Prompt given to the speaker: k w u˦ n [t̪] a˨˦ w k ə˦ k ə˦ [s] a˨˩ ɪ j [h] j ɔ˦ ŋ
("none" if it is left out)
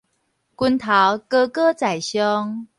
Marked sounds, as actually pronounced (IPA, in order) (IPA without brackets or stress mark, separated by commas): t̪ʰ, t͡s, ɕ